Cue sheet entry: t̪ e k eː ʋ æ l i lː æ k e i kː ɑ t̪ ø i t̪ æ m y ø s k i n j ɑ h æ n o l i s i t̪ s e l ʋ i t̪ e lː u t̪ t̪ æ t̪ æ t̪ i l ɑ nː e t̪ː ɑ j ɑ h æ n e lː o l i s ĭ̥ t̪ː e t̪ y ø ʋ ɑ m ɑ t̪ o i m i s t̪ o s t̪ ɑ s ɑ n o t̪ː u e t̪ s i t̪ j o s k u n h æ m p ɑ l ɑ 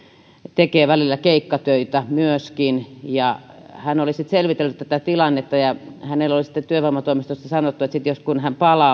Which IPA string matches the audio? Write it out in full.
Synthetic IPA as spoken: t̪ e k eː ʋ æ l i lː æ k e i kː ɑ t̪ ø i t̪ æ m y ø s k i n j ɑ h æ n o l i s i t̪ s e l ʋ i t̪ e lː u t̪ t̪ æ t̪ æ t̪ i l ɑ nː e t̪ː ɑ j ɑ h æ n e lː o l i s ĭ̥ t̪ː e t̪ y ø ʋ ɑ m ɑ t̪ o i m i s t̪ o s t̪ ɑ s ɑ n o t̪ː u e t̪ s i t̪ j o s k u n h æ m p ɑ l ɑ